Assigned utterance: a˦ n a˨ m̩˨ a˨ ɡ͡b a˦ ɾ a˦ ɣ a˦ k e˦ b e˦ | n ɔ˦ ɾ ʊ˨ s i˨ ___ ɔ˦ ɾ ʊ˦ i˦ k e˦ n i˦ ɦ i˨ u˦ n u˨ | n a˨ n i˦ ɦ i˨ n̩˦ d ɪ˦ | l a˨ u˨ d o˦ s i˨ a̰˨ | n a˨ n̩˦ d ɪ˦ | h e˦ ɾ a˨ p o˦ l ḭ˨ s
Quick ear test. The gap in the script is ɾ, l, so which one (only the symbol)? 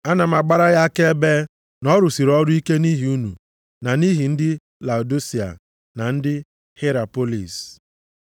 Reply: ɾ